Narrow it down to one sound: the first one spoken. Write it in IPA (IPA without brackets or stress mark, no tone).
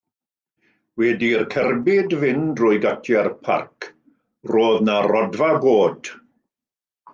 w